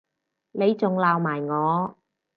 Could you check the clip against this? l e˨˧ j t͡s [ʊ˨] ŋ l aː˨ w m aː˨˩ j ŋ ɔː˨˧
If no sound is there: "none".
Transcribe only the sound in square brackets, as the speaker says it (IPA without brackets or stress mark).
ʊ˨